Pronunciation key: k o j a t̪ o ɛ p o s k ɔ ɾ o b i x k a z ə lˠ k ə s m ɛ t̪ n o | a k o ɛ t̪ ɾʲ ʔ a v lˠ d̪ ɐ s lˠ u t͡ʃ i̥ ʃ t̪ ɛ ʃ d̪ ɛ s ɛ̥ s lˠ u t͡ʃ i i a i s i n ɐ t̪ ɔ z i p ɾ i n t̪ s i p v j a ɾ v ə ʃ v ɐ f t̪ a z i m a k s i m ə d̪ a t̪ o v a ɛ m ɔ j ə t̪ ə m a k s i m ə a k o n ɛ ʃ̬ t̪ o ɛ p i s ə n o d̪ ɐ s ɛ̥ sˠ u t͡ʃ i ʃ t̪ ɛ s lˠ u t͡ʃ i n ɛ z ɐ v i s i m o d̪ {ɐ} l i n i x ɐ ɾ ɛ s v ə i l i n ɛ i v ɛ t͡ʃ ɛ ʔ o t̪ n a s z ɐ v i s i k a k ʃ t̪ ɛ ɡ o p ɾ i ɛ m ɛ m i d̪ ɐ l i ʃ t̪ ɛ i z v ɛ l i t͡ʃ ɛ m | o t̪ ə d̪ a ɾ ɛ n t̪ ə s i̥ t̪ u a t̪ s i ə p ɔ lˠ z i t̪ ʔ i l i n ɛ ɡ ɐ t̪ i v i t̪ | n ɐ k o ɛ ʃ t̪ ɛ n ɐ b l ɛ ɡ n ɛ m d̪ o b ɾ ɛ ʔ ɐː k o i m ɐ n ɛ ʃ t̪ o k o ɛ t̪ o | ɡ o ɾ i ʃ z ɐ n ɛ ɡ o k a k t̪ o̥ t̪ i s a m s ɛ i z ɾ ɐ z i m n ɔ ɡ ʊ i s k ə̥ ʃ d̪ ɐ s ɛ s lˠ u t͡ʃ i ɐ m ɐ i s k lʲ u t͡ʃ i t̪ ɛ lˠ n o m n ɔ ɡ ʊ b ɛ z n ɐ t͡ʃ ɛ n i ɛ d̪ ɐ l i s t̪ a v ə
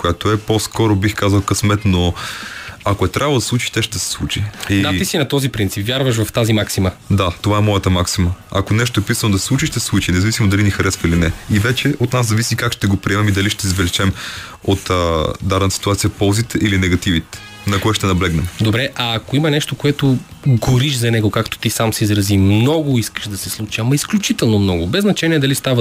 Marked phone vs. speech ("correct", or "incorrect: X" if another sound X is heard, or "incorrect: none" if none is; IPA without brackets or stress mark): correct